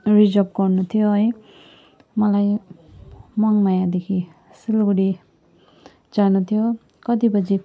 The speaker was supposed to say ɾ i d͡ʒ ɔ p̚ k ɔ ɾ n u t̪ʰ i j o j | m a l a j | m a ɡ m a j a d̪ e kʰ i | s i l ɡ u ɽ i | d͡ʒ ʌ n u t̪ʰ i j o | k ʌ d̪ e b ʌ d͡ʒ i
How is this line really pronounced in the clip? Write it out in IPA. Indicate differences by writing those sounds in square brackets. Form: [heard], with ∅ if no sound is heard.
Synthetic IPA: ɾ i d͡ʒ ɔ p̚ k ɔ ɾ n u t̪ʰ i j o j | m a l a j | m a [ŋ] m a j a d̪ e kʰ i | s i l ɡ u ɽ i | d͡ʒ [a] n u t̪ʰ i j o | k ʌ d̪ [i] b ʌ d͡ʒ i